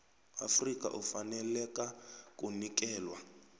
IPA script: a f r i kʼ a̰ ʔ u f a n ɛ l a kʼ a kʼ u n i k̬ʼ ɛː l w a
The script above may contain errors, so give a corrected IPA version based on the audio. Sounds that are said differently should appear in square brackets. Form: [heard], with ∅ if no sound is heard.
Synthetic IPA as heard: a f r i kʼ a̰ ʔ u f a n ɛ l [ɛ] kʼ a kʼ u n i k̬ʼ ɛː l w a